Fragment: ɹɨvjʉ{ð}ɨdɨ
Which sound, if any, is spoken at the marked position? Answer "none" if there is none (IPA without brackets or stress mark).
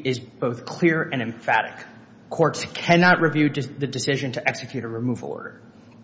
ð